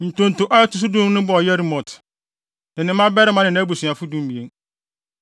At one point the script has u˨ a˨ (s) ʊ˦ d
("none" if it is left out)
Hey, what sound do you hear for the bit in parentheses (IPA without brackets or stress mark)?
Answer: f